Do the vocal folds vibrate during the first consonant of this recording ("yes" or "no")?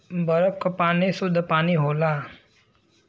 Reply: yes